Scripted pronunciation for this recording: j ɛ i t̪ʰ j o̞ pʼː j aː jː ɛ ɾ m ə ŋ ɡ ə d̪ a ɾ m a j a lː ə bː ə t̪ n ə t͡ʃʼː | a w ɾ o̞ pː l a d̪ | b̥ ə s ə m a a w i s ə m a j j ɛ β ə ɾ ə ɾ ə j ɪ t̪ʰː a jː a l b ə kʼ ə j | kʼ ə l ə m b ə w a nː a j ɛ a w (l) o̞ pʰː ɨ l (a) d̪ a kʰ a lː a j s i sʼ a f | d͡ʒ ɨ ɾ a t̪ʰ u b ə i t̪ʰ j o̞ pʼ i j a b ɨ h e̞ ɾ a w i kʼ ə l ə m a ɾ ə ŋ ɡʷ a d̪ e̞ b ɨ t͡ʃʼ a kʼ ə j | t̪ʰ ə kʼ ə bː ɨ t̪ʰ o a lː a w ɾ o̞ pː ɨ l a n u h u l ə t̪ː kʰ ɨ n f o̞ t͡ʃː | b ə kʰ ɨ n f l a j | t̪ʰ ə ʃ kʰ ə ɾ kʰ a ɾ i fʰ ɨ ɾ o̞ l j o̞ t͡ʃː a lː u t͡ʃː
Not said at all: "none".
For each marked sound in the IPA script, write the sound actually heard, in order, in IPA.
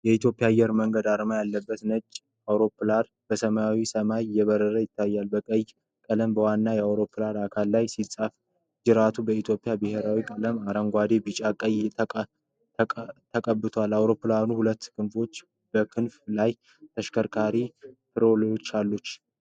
ɾ, a

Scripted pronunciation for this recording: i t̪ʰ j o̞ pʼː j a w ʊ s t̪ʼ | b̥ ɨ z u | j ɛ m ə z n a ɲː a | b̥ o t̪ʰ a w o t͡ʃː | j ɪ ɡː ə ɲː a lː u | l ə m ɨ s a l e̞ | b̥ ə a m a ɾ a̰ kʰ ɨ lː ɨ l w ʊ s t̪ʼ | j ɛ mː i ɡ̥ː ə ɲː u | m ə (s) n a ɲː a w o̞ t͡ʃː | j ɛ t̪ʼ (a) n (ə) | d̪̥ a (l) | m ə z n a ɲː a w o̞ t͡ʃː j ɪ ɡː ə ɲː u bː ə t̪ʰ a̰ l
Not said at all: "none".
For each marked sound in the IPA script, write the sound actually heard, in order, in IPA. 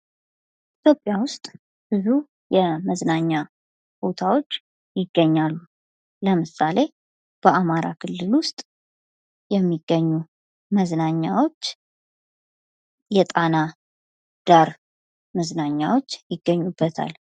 z, a, a, ɾ

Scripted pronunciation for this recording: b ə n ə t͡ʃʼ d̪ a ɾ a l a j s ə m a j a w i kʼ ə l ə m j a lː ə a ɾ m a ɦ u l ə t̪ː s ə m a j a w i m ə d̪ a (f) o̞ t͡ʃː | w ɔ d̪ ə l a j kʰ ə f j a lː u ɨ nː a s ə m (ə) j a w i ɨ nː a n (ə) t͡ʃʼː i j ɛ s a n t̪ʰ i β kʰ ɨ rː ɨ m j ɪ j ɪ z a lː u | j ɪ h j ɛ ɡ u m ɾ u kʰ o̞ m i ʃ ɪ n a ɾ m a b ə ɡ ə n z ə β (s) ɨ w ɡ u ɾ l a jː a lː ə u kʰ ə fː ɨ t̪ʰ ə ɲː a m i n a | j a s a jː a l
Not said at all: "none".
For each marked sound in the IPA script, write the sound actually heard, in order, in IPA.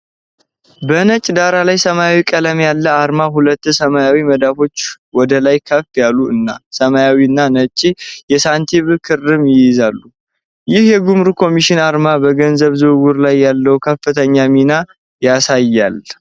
f, a, ə, z

